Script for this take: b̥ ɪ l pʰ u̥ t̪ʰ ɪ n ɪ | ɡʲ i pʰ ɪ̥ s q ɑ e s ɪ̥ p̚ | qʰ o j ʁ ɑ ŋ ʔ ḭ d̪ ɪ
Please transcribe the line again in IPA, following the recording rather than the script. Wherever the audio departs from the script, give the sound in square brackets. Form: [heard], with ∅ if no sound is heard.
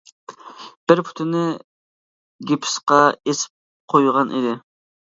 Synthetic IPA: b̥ ɪ [ɾ] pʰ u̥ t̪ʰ ɪ n ɪ | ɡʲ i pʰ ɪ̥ s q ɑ e s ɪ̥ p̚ | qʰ o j ʁ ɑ [n] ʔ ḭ d̪ ɪ